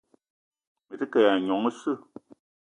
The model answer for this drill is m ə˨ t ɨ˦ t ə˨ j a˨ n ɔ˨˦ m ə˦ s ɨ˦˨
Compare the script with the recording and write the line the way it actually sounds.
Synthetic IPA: m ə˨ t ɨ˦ k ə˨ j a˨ ɲ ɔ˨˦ ŋ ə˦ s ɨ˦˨